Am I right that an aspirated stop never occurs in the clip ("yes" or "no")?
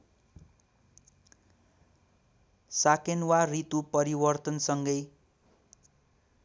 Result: yes